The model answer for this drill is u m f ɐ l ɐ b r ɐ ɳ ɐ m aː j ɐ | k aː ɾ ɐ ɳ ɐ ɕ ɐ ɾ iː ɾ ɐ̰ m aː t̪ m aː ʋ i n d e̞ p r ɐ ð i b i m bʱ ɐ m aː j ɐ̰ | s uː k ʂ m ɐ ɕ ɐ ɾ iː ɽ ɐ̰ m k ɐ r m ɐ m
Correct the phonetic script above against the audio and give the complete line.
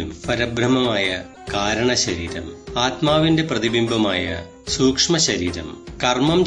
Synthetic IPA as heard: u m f ɐ ɾ ɐ b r ɐ m ɐ m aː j ɐ | k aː ɾ ɐ ɳ ɐ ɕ ɐ ɾ iː ɾ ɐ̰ m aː t̪ m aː ʋ i n d e̞ p r ɐ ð i b i m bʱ ɐ m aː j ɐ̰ | s uː k ʂ m ɐ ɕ ɐ ɾ iː ɾ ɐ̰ m k ɐ r m ɐ m